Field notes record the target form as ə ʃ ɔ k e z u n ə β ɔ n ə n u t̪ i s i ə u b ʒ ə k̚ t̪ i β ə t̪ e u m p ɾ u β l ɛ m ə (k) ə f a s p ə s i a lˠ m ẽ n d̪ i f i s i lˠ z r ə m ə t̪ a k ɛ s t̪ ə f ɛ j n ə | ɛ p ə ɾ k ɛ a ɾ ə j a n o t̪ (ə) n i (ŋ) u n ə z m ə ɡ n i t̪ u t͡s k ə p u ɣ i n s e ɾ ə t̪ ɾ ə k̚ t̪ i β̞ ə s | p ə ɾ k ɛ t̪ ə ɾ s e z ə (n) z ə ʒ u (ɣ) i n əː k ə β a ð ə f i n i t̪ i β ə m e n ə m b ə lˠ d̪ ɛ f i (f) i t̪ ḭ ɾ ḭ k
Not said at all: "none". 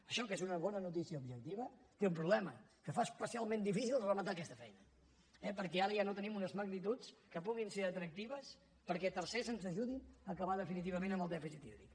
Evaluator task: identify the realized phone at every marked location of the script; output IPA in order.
k, ə, m, n, ð, s

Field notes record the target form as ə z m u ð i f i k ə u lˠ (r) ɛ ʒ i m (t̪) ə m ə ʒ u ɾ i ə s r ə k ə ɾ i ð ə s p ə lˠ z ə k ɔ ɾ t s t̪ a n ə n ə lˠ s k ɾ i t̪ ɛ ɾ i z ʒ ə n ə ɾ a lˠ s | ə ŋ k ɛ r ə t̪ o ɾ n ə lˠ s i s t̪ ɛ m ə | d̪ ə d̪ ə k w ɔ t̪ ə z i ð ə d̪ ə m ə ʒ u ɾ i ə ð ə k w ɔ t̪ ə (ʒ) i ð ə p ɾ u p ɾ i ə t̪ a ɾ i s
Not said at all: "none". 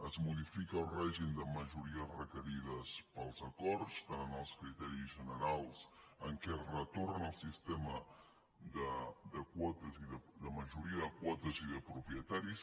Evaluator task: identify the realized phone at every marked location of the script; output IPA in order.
r, d̪, z

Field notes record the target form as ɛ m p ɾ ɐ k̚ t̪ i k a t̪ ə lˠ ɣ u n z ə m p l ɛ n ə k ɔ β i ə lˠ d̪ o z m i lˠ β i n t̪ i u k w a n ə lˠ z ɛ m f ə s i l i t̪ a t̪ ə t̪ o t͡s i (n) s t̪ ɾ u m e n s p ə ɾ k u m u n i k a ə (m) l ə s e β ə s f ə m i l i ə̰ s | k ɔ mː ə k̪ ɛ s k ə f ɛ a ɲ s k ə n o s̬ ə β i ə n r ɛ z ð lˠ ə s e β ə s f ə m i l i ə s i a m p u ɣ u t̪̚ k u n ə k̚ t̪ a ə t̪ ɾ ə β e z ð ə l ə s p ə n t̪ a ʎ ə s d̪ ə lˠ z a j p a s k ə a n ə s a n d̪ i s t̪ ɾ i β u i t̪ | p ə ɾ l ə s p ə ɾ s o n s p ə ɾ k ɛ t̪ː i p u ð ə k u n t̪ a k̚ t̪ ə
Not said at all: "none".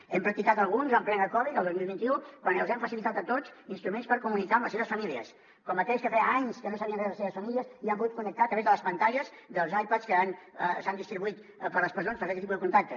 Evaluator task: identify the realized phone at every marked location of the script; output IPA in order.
n, m

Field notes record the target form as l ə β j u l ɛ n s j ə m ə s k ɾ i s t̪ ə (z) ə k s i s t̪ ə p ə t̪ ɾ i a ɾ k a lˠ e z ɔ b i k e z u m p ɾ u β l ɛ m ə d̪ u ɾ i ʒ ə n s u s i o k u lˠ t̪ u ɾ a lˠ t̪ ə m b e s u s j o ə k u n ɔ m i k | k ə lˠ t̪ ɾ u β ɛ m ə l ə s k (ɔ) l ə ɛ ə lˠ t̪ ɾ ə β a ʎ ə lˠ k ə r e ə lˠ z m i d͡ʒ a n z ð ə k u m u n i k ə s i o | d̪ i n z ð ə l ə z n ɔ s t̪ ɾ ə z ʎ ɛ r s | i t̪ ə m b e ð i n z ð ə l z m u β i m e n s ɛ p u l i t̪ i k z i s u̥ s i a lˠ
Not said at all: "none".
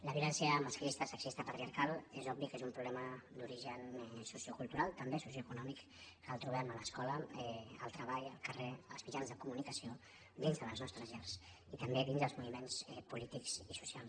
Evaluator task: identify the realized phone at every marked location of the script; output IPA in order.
s, ɔ

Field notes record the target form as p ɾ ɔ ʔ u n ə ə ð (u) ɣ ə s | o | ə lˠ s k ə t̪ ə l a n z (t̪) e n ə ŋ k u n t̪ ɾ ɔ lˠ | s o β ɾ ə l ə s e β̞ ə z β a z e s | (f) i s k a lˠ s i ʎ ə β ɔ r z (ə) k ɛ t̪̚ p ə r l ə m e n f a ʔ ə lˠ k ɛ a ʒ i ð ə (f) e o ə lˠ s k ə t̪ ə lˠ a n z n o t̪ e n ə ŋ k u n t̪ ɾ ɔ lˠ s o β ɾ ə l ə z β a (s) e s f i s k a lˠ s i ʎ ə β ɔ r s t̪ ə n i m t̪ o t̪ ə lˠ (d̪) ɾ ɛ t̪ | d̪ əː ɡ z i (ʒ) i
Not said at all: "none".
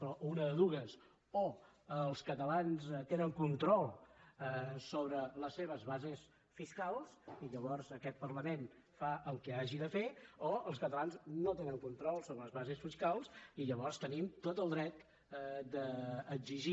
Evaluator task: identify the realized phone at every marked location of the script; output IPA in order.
u, t̪, f, ə, f, z, d̪, ʒ

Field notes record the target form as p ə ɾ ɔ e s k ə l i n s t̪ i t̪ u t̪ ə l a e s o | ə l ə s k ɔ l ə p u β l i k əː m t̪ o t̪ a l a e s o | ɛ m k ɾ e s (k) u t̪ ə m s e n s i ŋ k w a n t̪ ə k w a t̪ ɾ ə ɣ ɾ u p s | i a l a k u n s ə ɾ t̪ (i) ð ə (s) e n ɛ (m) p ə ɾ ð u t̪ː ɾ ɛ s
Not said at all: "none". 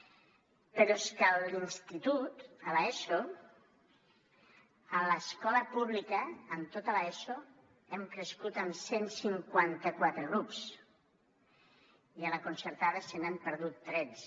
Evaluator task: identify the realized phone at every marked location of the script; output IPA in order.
k, a, s, m

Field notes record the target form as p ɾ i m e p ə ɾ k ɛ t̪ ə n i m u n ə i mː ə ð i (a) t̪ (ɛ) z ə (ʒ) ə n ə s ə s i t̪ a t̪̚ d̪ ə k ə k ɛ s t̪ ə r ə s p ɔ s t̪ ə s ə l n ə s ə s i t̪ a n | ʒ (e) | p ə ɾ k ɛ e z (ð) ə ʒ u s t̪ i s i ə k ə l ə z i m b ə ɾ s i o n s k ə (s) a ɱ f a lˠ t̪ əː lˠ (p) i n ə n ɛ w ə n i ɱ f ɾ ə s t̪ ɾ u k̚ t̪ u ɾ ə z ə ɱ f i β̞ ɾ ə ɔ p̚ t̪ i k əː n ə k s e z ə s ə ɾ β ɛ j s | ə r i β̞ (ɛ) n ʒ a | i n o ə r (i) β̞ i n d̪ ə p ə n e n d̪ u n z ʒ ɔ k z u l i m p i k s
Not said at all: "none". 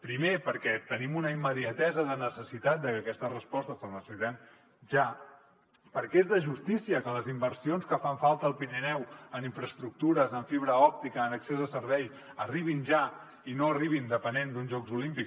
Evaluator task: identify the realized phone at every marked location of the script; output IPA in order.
ə, ɛ, ð, a, ð, f, p, i, i

